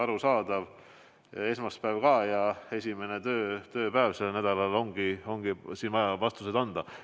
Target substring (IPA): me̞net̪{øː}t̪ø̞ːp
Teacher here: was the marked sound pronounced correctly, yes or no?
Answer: yes